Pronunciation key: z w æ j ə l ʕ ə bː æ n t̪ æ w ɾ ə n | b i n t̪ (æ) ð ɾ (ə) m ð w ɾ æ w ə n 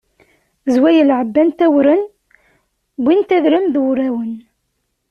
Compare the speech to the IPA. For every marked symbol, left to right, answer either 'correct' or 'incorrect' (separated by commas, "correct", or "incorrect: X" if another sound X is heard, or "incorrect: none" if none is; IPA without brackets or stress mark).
correct, correct